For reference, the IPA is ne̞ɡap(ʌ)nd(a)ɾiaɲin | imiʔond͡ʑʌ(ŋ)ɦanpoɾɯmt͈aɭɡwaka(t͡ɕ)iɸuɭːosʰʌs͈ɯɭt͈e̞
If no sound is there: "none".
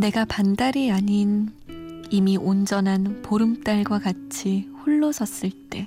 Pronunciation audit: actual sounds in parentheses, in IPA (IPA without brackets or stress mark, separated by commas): a, a, n, t͡ɕʰ